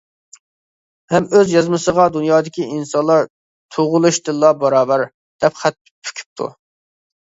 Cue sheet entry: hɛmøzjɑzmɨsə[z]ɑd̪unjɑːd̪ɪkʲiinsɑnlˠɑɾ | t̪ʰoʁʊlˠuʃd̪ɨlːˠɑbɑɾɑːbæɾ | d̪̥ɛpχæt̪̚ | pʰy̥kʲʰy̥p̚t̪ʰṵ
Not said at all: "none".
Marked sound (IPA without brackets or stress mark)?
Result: ʁ